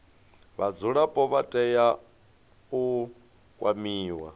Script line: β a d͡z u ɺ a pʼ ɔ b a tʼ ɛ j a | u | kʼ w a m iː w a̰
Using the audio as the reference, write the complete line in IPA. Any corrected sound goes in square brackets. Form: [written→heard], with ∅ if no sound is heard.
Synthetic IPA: β a d͡z u ɺ a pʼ ɔ [b→β] a tʼ ɛ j a | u | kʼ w a m iː w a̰

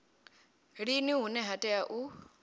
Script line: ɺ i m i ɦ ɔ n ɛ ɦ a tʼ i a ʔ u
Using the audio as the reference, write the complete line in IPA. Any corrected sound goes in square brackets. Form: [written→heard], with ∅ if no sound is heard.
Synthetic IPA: ɺ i [m→n] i ɦ [ɔ→u] n ɛ ɦ a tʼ [i→ɛ] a ʔ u

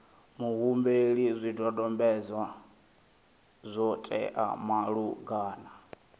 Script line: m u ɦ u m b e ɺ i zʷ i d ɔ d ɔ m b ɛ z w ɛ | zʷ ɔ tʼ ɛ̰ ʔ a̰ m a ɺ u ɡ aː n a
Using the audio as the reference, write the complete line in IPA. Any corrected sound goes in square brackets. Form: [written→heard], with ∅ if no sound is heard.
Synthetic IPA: m u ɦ u m b e ɺ i zʷ i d ɔ d ɔ m b ɛ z w [ɛ→a] | zʷ ɔ tʼ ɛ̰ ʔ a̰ m a ɺ u ɡ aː n a

